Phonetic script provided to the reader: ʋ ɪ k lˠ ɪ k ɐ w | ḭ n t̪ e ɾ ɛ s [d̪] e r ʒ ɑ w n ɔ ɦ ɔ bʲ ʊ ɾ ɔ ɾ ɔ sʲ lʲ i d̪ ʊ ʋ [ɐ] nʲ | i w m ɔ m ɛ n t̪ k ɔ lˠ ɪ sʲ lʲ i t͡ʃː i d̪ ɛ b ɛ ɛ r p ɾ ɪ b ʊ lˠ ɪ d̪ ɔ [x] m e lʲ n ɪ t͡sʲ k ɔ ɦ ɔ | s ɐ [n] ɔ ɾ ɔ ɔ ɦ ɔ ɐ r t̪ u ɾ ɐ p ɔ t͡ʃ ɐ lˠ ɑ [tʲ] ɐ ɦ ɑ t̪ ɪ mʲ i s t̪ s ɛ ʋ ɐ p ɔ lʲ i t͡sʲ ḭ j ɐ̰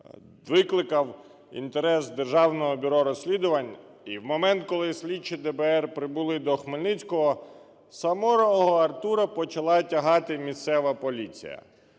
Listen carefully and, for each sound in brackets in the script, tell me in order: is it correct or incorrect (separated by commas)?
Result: correct, correct, correct, incorrect, correct